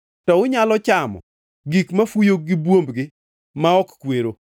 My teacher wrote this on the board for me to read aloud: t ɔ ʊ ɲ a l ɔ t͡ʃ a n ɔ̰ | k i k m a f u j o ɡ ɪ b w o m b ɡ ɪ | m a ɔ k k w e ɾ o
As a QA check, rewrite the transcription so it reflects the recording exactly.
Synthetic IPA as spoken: t ɔ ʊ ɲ a l ɔ t͡ʃ a m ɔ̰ | ɡ i k m a f u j o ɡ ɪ b w o m b ɡ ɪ | m a ɔ k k w e ɾ o

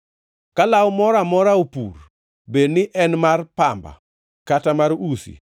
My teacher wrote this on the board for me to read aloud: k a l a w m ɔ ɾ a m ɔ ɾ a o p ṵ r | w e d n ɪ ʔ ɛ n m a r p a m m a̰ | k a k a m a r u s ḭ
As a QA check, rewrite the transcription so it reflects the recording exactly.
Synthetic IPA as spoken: k a l a w m ɔ ɾ a m ɔ ɾ a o p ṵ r | b e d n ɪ ʔ ɛ n m a r p a m b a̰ | k a t a m a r u s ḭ

